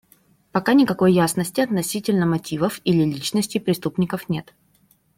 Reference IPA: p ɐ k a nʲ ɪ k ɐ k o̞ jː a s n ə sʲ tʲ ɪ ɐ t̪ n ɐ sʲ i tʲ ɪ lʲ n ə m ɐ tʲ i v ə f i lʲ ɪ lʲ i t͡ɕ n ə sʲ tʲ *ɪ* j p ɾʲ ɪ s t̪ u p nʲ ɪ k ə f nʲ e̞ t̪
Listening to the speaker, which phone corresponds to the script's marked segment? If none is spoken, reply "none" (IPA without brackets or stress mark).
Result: ɪ